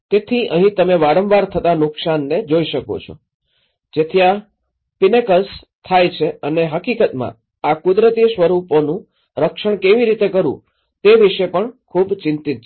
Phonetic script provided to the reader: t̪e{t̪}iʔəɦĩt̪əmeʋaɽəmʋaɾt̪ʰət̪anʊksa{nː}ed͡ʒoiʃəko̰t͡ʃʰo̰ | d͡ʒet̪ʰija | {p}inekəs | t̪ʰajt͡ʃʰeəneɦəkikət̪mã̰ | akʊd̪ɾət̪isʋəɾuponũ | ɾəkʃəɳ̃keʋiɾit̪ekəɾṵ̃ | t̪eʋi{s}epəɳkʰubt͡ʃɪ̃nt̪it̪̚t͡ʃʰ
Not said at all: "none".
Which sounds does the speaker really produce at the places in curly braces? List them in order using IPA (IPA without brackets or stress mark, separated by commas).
t̪ʰ, nː, p, ʃ